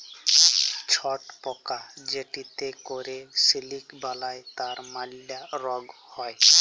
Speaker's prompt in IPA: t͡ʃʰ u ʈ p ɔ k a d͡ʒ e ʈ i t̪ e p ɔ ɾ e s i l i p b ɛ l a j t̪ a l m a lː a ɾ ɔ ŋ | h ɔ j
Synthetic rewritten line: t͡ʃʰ ɔ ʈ p ɔ k a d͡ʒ e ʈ i t̪ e k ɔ ɾ e s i l i k b a l a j t̪ a ɾ m a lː a ɾ ɔ ɡ | h ɔ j